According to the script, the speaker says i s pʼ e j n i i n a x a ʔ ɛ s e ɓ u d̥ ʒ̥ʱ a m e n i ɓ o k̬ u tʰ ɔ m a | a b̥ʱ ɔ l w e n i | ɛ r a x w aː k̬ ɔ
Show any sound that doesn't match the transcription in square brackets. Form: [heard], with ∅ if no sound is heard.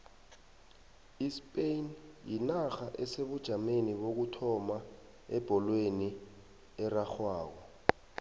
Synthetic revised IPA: i s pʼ e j n [j] i n a x a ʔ ɛ s e ɓ u d̥ ʒ̥ʱ a m e n i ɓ o k̬ u tʰ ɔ m a | [ɛ] b̥ʱ ɔ l w e n i | ɛ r a x w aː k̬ ɔ